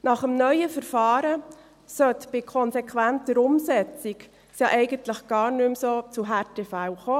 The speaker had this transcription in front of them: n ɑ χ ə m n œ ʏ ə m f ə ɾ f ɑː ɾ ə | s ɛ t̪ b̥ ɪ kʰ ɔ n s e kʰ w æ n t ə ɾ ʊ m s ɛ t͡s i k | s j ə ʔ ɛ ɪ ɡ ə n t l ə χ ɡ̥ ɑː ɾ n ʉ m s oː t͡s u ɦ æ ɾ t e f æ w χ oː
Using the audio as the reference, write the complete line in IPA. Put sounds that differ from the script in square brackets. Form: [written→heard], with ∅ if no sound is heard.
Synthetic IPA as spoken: n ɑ χ ə m n œ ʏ ə [m→∅] f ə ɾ f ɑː ɾ ə | s [ɛ→œ] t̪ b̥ ɪ kʰ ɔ n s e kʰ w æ n t ə ɾ ʊ m s ɛ t͡s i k | s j [ə→ɑ] ʔ ɛ ɪ ɡ ə n t l ə χ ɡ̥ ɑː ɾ n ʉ m s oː t͡s u ɦ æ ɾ t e f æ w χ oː